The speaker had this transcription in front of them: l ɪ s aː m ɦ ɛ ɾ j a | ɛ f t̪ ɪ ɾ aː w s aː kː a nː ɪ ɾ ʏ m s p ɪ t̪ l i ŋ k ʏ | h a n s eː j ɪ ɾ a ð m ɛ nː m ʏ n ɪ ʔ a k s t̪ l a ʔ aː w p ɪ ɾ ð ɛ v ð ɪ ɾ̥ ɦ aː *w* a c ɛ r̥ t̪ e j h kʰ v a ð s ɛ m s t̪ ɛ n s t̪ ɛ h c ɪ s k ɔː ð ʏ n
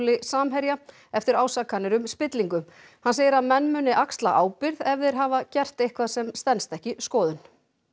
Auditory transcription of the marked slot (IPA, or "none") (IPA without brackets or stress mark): v